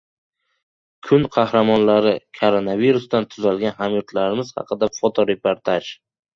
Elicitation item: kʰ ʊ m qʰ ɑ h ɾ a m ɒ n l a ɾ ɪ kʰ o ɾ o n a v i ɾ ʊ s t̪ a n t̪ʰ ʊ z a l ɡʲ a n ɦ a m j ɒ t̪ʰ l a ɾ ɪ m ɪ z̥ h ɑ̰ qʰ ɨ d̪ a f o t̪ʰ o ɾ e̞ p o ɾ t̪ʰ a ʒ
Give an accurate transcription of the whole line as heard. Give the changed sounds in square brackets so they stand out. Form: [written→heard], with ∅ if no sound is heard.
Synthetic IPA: kʰ ʊ [m→n] qʰ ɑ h ɾ a m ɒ n l a ɾ ɪ kʰ o ɾ o n a v i ɾ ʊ s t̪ a n t̪ʰ ʊ z a l ɡʲ a n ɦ a m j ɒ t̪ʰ l a ɾ ɪ m ɪ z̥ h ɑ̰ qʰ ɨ d̪ a f o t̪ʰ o ɾ e̞ p o ɾ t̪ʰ a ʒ